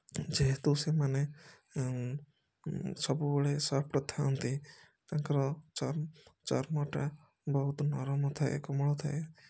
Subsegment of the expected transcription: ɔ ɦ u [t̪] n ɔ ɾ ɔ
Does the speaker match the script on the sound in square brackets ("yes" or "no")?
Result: yes